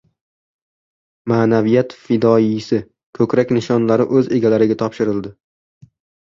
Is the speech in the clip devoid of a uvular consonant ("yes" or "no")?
yes